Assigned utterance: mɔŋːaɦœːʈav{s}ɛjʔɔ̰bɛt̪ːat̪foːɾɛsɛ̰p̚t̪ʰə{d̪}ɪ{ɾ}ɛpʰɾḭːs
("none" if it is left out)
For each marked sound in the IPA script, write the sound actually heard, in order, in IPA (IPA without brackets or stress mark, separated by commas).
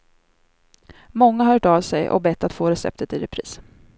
s, t̪, ɾ